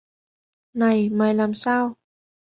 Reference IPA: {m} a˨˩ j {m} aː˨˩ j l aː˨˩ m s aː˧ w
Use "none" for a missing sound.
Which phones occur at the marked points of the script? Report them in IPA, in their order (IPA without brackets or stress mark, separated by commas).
n, m